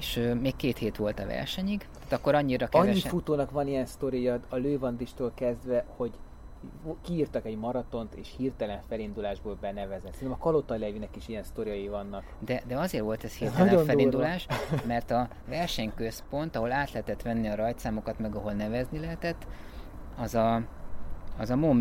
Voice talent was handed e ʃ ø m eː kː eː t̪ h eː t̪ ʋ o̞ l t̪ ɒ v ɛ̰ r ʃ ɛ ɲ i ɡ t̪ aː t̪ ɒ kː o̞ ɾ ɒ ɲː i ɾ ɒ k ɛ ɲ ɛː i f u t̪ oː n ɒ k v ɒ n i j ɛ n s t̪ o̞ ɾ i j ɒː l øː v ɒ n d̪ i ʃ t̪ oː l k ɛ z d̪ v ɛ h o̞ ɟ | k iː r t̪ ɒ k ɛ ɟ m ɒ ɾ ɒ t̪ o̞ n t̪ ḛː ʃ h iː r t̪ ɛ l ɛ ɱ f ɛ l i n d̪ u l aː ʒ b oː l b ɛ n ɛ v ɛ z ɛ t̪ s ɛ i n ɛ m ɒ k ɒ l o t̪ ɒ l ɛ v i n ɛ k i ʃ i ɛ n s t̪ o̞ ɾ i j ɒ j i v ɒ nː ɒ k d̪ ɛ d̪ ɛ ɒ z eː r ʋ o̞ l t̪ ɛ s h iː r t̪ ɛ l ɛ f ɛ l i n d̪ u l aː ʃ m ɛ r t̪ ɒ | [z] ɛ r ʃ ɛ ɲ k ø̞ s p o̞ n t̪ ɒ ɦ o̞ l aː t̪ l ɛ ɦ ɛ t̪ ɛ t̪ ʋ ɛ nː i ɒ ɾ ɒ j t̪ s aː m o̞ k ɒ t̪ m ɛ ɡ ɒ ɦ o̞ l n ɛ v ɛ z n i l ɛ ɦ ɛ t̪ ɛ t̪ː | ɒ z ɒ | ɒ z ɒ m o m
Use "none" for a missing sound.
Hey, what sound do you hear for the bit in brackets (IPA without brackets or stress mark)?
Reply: v